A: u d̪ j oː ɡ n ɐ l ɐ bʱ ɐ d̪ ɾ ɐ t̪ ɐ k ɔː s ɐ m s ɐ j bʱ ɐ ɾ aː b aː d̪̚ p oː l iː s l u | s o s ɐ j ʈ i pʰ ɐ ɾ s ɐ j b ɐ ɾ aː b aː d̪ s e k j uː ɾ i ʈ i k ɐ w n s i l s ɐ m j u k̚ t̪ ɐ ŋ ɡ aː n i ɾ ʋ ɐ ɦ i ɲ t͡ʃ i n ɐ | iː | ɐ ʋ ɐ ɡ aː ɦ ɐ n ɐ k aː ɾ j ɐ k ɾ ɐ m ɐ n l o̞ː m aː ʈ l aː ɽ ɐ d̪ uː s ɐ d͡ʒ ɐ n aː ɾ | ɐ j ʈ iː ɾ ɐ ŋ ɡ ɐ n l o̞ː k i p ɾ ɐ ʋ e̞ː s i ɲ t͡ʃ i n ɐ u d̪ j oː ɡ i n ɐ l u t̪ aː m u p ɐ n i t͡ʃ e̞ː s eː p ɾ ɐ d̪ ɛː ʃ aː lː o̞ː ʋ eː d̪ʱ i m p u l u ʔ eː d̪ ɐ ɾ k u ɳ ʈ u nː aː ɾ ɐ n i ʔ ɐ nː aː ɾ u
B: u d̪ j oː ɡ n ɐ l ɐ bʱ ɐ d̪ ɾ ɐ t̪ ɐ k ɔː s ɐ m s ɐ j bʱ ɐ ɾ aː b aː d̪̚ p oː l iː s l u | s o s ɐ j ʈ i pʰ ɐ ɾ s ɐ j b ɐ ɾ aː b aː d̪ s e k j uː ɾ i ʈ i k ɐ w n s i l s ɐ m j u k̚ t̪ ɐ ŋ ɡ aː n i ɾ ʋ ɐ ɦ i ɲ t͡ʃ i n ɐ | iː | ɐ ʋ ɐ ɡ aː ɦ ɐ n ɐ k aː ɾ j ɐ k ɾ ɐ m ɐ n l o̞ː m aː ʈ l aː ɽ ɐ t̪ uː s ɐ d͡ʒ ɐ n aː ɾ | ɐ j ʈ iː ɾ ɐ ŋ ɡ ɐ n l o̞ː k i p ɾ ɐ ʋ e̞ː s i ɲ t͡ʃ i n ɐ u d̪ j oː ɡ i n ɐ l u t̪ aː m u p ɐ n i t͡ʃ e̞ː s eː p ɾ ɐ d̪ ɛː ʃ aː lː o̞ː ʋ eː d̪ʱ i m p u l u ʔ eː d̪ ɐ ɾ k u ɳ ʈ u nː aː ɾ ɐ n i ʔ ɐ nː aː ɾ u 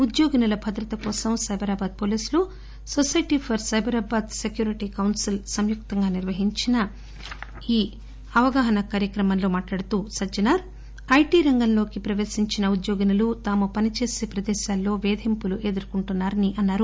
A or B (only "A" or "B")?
B